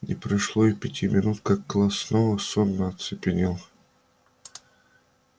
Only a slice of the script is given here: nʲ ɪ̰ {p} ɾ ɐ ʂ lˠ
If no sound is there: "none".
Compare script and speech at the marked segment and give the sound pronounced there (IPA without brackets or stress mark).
p